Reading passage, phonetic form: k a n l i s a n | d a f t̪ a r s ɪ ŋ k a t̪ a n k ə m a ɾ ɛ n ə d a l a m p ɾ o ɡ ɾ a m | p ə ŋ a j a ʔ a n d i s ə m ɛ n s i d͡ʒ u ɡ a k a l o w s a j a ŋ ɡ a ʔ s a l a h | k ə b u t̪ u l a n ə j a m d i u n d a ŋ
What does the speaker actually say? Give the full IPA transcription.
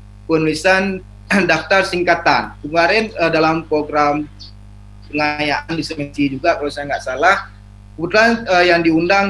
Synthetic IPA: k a n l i s a n | d a f t̪ a r s i ŋ k a t̪ a n k ə m a ɾ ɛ n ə d a l a m p ɾ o ɡ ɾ a m | p ə ŋ a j a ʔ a n d i s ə m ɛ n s i d͡ʒ u ɡ a k a l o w s a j a ŋ ɡ a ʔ s a l a h | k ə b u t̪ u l a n ə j a ŋ d i u n d a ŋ